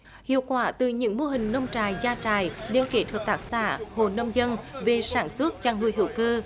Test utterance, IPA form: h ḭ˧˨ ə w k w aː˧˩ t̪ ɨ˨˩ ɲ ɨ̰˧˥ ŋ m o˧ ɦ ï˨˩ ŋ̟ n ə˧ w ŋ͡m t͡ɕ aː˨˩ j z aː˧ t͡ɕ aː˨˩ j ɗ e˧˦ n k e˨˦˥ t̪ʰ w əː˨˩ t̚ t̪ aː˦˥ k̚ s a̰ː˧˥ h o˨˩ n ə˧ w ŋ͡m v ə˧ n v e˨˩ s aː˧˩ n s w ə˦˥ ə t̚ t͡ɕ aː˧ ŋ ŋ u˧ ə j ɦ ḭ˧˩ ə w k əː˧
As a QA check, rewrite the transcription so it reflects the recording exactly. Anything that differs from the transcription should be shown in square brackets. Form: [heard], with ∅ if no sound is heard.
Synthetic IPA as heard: h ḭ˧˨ ə w k w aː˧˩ t̪ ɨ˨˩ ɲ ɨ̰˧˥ ŋ m o˧ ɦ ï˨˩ ŋ̟ n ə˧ w ŋ͡m t͡ɕ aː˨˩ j z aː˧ t͡ɕ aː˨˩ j ɗ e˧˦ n k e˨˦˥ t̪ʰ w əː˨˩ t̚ t̪ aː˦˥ k̚ s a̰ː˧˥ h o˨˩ n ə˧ w ŋ͡m [z] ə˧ n v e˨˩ s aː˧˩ n s w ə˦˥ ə t̚ t͡ɕ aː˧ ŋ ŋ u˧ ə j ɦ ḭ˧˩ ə w k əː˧

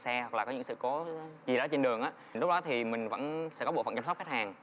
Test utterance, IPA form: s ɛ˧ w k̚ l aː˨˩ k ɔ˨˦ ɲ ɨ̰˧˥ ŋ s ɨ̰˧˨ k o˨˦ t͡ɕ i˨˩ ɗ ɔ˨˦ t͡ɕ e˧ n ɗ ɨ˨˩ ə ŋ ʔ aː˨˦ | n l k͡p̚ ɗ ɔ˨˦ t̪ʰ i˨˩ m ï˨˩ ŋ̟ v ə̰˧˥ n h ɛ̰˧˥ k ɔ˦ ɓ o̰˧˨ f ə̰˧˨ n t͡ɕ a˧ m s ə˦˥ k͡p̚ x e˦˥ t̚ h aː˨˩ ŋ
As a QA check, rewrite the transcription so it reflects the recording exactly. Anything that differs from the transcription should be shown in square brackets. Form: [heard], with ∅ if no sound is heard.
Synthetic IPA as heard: s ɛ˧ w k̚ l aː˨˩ k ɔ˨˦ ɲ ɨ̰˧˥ ŋ s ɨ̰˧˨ k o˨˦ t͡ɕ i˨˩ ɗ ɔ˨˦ t͡ɕ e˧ n ɗ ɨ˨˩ ə ŋ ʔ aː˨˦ | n l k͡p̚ ɗ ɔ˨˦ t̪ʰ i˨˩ m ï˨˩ ŋ̟ v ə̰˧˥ n [s] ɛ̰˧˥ k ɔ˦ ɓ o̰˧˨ f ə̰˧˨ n t͡ɕ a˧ m s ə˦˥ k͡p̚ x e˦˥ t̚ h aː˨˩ ŋ

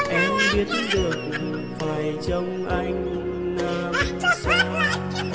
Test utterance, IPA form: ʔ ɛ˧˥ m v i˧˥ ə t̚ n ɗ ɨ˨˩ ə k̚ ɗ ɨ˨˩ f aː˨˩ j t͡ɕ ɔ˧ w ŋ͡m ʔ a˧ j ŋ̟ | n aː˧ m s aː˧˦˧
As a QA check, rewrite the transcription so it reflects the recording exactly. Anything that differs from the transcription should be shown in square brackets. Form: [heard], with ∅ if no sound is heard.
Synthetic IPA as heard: ʔ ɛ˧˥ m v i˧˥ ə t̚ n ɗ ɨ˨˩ ə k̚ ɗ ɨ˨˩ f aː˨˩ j t͡ɕ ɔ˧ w ŋ͡m ʔ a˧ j ŋ̟ | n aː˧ m s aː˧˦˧

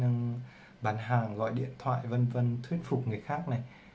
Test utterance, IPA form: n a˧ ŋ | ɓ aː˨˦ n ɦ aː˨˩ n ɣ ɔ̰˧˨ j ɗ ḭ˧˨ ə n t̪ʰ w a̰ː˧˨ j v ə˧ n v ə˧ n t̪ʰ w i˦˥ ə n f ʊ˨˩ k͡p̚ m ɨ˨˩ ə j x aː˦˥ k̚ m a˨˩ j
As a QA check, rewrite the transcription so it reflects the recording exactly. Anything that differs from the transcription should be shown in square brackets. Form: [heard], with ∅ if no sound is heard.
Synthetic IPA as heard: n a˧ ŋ | ɓ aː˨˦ n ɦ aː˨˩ [ŋ] ɣ ɔ̰˧˨ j ɗ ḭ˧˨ ə n t̪ʰ w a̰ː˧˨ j v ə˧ n v ə˧ n t̪ʰ w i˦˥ ə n f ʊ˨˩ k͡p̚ [ŋ] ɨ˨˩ ə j x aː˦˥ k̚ [n] a˨˩ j

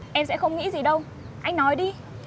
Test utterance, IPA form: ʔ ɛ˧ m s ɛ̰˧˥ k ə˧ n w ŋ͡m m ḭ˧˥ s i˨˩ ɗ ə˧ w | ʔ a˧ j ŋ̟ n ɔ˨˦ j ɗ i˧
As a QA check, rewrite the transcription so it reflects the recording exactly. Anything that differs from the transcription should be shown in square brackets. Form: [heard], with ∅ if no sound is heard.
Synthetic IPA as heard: ʔ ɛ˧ m s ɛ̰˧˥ [x] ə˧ [∅] w ŋ͡m [ŋ] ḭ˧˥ [z] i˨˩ ɗ ə˧ w | ʔ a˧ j ŋ̟ n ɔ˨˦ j ɗ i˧

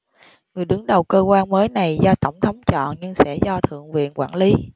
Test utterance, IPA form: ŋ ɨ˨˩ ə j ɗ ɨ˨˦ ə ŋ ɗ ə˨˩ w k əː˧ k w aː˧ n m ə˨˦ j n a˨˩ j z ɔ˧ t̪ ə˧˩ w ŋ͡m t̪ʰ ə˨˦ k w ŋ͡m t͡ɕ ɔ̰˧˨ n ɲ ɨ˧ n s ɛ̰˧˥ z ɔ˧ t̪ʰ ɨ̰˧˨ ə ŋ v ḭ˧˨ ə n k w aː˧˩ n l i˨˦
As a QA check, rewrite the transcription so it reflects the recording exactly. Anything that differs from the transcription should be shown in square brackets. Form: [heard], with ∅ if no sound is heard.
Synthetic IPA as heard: ŋ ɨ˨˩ ə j ɗ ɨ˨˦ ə ŋ ɗ ə˨˩ w k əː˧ k w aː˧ n m [əː˨˦] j n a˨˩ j z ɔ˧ t̪ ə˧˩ w ŋ͡m t̪ʰ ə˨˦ [∅] w ŋ͡m t͡ɕ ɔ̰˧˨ n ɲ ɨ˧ [ŋ] s ɛ̰˧˥ z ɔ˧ t̪ʰ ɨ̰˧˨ ə ŋ v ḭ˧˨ ə n k w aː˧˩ n l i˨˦

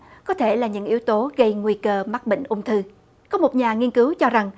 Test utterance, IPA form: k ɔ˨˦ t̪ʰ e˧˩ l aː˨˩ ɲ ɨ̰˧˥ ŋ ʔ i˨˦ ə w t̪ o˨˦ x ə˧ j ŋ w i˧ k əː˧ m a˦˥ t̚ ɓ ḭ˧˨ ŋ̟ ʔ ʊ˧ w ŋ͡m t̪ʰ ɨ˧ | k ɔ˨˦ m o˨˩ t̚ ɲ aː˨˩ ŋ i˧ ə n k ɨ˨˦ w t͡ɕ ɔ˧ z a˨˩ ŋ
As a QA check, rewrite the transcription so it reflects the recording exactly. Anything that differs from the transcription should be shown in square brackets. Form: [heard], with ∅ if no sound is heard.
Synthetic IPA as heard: k ɔ˨˦ t̪ʰ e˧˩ l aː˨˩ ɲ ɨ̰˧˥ ŋ ʔ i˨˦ ə w t̪ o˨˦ [ɣ] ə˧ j ŋ w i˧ k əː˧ m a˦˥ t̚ ɓ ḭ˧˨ ŋ̟ ʔ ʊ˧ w ŋ͡m t̪ʰ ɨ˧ | k ɔ˨˦ m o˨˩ t̚ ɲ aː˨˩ ŋ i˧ ə n k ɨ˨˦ w t͡ɕ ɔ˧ z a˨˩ ŋ

